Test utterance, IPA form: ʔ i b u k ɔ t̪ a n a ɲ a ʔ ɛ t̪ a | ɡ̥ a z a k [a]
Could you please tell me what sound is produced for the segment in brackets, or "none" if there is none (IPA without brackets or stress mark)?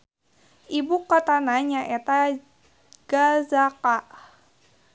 a